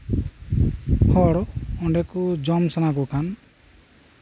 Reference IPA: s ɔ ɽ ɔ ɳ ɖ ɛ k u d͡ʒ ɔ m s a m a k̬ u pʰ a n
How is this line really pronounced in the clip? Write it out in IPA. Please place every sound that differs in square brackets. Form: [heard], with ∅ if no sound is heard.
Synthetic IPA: [h] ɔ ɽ ɔ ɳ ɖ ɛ k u d͡ʒ ɔ m s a [n] a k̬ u [kʰ] a n